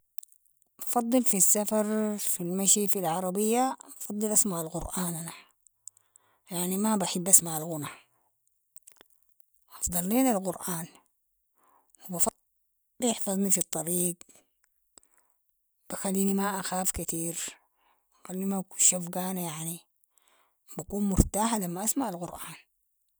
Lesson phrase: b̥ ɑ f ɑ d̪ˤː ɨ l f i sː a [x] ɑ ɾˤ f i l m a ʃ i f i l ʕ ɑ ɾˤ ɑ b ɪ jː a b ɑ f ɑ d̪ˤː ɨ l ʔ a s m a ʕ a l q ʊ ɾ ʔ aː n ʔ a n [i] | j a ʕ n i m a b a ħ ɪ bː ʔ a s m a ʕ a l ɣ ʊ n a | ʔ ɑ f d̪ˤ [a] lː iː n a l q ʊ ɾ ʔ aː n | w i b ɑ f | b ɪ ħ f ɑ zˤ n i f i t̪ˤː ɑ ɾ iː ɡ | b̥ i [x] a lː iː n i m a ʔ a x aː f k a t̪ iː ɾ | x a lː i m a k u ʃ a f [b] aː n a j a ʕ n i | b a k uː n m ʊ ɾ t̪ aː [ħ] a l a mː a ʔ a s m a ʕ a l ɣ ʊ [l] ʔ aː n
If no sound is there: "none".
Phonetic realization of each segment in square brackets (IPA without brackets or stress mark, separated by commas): f, a, ɑ, x, ɡ, ħ, ɾ